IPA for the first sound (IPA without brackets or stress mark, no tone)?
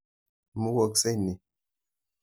m